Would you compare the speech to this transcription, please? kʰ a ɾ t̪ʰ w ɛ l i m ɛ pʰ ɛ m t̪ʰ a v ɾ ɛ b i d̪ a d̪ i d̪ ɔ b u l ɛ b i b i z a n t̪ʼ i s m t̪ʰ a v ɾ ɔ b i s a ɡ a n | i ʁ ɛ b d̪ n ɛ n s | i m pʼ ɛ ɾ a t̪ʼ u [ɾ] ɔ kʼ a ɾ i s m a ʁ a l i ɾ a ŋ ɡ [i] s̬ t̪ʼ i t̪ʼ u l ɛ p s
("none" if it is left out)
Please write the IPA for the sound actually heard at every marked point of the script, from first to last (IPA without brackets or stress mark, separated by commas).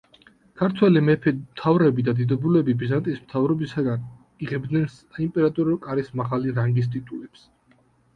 ɾ, i